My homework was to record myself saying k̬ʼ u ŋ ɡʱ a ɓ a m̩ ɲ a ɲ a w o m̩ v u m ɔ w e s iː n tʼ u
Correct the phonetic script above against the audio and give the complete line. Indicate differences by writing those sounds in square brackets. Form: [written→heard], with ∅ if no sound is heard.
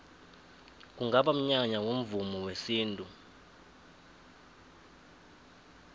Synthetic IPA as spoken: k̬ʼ u ŋ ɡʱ a ɓ a m̩ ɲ a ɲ a w o m̩ v u m ɔ w e s iː n tʼ u